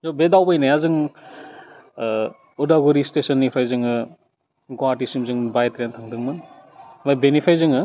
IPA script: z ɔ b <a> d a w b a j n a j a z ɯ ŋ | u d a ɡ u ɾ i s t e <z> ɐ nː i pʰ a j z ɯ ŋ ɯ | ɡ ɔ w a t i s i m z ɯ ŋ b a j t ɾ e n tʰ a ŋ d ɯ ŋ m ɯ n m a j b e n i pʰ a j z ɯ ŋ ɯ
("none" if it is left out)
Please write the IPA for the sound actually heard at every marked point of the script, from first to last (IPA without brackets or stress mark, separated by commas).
e, s